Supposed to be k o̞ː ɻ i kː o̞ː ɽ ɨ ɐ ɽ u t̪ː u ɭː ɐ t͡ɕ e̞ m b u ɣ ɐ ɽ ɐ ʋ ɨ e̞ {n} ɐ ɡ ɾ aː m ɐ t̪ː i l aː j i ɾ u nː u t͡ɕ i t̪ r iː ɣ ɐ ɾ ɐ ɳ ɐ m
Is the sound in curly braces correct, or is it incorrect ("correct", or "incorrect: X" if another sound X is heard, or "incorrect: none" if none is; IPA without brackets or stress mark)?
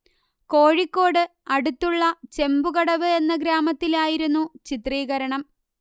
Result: incorrect: nː